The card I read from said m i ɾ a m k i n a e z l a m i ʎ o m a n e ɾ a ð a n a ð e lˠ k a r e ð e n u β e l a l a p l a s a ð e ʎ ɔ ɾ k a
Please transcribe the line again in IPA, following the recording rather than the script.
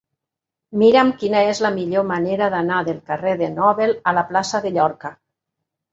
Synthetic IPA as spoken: m i ɾ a m k i n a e z l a m i ʎ o m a n e ɾ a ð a n a ð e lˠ k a r e ð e n ɔ β e l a l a p l a s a ð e ʎ ɔ ɾ k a